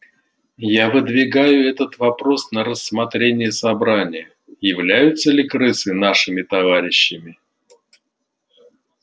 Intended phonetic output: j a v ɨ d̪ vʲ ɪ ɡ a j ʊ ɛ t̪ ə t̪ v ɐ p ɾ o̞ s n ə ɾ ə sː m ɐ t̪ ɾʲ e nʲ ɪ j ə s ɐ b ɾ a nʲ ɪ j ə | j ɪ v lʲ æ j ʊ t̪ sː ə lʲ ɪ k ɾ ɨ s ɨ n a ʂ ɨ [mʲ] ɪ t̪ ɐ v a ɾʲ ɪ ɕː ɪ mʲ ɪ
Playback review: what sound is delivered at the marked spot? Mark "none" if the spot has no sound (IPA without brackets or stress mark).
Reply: mʲ